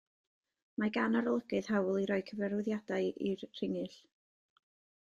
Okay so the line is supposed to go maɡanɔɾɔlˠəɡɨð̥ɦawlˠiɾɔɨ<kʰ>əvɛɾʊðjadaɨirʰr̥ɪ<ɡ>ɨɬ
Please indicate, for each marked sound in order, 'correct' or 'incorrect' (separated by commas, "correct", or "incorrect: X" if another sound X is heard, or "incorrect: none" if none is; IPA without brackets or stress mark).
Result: correct, incorrect: ŋ